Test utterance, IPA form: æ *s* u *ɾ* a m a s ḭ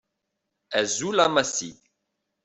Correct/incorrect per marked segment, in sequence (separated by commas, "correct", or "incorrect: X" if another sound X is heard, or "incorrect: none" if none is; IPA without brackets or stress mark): incorrect: z, incorrect: l